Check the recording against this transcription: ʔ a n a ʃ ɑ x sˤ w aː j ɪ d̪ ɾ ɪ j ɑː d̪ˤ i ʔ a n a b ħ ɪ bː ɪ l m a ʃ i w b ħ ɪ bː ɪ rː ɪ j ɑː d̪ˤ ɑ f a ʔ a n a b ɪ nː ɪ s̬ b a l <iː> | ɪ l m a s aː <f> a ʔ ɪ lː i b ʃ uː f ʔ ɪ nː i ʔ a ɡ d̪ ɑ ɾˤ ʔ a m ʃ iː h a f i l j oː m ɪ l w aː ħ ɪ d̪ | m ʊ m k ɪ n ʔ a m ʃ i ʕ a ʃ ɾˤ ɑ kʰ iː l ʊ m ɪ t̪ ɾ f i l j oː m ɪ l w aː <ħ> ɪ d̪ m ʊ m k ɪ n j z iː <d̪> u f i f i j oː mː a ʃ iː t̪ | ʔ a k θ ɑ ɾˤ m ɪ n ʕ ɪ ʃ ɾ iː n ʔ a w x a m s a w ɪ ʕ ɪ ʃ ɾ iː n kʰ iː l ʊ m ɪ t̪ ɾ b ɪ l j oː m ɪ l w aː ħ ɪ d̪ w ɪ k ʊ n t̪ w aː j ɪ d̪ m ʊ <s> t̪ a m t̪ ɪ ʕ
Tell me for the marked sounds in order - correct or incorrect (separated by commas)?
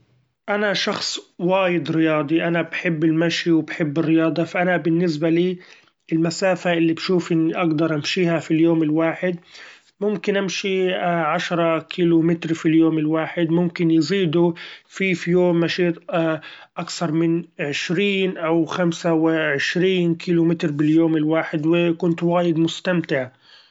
correct, correct, correct, correct, correct